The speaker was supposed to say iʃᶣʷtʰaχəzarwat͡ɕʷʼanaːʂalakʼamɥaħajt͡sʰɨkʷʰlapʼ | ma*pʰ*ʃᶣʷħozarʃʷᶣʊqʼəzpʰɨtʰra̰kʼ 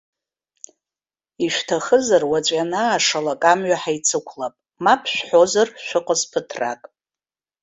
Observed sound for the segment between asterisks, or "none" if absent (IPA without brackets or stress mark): pʰ